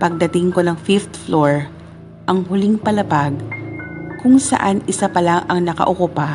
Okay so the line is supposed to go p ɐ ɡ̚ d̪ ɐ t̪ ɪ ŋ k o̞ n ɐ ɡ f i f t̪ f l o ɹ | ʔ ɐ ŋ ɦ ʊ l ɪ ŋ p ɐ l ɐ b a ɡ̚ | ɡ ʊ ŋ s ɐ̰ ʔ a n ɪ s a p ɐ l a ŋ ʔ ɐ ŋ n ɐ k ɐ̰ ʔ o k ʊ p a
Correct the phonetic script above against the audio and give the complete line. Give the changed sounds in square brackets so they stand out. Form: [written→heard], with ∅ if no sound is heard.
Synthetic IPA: p ɐ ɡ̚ d̪ ɐ t̪ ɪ ŋ k o̞ n ɐ [ɡ→ŋ] f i f t̪ f l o ɹ | ʔ ɐ ŋ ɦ ʊ l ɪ ŋ p ɐ l ɐ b a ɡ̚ | [ɡ→k] ʊ ŋ s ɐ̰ ʔ a n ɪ s a p ɐ l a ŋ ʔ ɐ ŋ n ɐ k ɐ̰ ʔ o k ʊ p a